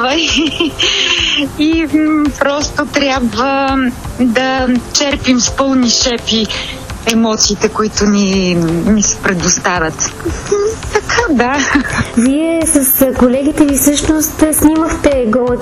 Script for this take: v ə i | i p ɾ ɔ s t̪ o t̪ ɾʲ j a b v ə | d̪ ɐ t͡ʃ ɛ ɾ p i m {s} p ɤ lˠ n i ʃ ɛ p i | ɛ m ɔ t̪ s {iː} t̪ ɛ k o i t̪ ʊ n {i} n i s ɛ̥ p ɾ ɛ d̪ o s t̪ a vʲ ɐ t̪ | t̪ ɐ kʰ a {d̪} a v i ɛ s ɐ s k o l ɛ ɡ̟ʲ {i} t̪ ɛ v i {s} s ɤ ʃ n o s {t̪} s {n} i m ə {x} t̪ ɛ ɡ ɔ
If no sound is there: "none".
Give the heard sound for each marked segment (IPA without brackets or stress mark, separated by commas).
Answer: s, iː, i, d̪, i, f, t̪, n, x